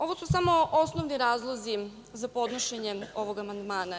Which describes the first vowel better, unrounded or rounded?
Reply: rounded